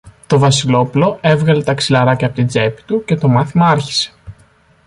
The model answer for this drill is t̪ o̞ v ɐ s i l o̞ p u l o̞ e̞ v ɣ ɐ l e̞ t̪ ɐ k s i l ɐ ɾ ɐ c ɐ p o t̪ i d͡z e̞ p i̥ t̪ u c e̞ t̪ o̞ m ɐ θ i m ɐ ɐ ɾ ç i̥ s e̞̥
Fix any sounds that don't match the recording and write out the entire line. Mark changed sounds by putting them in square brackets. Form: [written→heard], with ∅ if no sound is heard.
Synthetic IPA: t̪ o̞ v ɐ s i l o̞ p u l o̞ e̞ v ɣ ɐ l e̞ t̪ ɐ k s i l ɐ ɾ ɐ c ɐ p o t̪ i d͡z e̞ p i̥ t̪ u c e̞ t̪ o̞ m ɐ θ i m ɐ ɐ ɾ ç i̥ s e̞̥